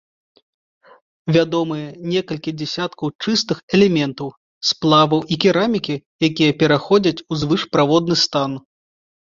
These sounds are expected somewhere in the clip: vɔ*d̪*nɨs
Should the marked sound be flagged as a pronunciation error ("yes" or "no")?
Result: no